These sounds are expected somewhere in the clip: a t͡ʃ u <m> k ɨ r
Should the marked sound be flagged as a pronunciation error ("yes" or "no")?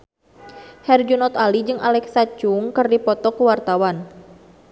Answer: yes